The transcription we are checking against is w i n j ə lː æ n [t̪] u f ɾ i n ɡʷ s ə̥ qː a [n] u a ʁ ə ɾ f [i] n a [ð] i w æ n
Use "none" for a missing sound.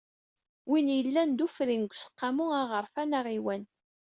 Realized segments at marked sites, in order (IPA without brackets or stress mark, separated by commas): d̪, m, æ, ʁ